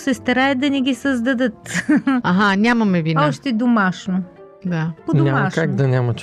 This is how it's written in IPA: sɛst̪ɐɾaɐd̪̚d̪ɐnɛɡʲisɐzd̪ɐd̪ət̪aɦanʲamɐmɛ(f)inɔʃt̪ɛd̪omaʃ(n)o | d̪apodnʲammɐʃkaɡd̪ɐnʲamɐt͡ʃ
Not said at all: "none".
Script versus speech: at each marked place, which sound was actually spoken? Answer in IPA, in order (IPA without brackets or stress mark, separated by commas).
v, n